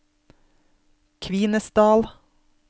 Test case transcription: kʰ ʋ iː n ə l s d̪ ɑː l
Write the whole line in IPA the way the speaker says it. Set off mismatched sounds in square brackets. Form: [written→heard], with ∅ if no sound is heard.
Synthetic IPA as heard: kʰ ʋ iː n ə [l→∅] s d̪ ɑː l